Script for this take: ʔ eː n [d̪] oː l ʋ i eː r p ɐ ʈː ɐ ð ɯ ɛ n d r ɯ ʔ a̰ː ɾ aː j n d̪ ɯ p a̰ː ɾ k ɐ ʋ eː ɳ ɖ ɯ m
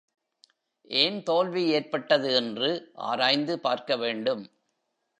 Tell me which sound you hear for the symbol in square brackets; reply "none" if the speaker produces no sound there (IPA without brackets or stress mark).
t̪